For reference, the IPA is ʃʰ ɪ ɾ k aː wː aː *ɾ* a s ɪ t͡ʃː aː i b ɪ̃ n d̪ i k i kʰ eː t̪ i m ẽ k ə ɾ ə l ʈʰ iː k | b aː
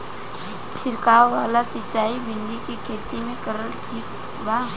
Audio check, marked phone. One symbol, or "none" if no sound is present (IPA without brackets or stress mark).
l